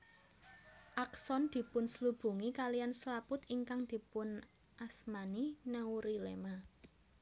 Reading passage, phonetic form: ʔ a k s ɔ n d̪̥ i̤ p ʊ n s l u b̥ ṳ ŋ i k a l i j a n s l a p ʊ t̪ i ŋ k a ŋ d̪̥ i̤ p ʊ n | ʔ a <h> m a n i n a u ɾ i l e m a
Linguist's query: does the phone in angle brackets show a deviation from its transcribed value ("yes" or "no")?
yes